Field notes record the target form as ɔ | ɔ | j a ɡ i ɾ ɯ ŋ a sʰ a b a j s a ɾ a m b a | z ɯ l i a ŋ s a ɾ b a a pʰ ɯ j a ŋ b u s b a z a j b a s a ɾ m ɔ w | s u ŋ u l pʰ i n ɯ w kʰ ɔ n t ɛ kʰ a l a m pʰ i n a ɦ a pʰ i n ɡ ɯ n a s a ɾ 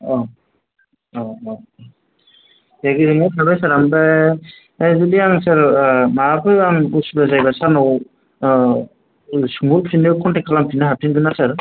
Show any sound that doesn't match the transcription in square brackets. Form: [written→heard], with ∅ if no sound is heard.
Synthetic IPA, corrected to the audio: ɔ | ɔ | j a ɡ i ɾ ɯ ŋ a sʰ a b a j s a ɾ a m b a | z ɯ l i a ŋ s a ɾ [b→m] a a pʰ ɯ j a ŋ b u s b a z a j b a s a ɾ [m→n] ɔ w | s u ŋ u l pʰ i n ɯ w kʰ ɔ n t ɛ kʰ a l a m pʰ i n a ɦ a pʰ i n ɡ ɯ n a s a ɾ